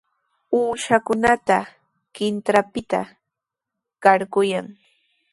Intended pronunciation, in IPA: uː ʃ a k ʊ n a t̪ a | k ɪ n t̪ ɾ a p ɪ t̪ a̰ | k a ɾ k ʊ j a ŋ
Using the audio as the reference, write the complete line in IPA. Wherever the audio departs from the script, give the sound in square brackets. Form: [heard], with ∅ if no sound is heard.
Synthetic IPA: uː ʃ a k ʊ n a t̪ a | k ɪ n t̪ ɾ a p ɪ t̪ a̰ | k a ɾ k ʊ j a ŋ